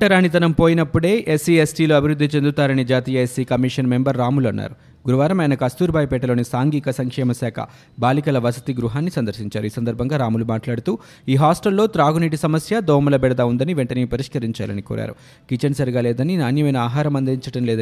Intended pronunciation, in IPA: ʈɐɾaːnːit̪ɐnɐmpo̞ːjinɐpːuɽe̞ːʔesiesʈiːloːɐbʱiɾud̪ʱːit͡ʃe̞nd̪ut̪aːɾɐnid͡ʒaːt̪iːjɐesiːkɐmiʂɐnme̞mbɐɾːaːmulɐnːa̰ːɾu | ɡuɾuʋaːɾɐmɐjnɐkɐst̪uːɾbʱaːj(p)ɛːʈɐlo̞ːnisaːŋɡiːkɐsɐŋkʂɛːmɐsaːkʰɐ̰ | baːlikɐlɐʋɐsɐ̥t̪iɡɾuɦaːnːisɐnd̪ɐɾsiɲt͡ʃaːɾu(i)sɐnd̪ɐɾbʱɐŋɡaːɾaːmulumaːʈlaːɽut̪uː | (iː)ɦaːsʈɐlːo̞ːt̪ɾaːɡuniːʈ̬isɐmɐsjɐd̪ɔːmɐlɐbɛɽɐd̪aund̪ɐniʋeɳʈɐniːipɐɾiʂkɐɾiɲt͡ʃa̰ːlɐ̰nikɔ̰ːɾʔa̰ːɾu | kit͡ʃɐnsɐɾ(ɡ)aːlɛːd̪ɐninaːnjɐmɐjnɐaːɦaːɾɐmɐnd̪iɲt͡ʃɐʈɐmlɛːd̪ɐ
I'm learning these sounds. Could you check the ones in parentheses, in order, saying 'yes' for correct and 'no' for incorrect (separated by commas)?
yes, no, yes, yes